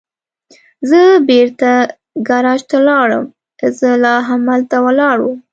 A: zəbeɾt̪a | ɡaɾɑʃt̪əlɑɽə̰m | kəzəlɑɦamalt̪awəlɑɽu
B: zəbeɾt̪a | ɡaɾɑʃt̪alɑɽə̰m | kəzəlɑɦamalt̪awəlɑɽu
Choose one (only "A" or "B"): B